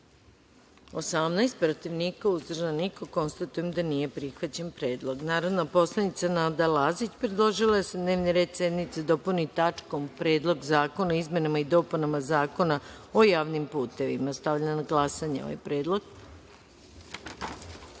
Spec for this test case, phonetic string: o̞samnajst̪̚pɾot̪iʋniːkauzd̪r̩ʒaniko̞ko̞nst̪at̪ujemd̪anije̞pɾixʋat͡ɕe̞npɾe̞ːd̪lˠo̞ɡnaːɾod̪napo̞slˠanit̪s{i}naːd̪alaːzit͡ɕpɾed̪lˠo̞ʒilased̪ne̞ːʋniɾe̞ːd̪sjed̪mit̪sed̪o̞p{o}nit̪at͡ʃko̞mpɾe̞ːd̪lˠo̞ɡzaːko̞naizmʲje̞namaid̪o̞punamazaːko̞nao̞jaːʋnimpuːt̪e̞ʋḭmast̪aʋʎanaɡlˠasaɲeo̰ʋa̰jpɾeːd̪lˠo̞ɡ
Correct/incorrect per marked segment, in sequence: incorrect: a, incorrect: u

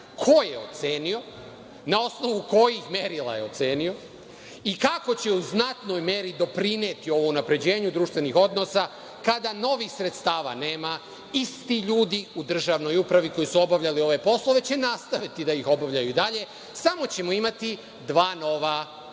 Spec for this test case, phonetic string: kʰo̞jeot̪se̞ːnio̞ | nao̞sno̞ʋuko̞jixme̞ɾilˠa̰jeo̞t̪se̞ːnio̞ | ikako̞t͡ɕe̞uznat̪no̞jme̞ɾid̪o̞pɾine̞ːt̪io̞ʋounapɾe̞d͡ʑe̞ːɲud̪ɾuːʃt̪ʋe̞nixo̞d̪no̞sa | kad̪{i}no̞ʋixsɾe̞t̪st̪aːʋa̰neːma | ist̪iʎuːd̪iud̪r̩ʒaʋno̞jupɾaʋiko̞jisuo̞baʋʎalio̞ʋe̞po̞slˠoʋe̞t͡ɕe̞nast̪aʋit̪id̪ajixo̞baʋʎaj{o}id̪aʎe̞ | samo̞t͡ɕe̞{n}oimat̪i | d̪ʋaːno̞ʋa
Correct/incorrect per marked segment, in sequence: incorrect: a, incorrect: u, incorrect: m

